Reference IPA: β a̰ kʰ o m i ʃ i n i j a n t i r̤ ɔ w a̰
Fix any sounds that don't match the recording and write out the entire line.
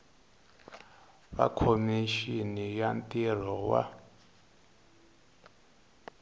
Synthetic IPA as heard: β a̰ kʰ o m i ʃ i n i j a n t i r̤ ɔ w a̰